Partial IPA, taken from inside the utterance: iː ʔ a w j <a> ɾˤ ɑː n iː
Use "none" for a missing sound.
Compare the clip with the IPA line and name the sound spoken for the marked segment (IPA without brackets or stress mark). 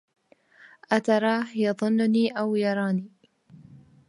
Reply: ɑ